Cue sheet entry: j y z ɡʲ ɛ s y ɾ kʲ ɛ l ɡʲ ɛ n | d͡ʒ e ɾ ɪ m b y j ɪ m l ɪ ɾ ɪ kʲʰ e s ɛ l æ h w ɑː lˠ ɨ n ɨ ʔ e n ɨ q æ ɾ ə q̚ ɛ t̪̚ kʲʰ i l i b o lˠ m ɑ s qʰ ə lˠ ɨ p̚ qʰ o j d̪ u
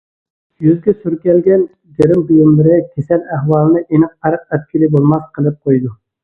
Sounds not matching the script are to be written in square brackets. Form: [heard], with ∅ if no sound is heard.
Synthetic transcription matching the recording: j y z ɡʲ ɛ s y ɾ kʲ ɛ l ɡʲ ɛ n | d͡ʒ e ɾ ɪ m b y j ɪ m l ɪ ɾ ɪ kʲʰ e s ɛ l æ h w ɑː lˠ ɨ n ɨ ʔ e n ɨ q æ ɾ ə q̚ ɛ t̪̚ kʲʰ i l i b o lˠ m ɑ s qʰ ə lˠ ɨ p̚ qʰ o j d̪ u